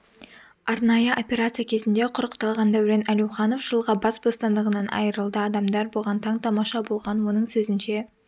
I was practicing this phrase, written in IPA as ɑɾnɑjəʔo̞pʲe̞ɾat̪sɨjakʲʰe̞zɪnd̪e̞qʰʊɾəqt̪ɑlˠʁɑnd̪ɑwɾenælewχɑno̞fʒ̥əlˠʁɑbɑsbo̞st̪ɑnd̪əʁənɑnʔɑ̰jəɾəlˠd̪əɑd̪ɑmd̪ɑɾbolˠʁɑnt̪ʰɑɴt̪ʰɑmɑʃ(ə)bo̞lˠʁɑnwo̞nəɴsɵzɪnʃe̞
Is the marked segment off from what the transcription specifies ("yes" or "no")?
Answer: yes